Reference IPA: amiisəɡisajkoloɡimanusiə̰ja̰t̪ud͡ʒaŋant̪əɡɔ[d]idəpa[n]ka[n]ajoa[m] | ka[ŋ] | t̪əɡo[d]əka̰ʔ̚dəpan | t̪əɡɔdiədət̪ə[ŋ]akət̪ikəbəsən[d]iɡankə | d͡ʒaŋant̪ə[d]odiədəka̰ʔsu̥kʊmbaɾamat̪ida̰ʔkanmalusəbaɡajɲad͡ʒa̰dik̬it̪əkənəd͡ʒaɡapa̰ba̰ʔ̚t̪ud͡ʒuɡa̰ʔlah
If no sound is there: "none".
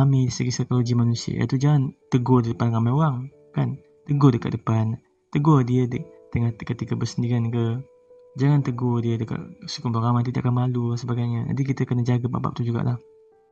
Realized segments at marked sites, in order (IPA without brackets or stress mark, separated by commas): d, n, m, ŋ, n, d, ŋ, d, ɡ